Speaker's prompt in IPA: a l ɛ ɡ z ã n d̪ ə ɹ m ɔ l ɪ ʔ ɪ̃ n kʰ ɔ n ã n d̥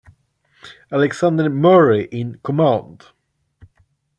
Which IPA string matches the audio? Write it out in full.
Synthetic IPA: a l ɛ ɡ s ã n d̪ ə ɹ m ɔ ɹ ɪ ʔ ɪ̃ n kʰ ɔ m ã n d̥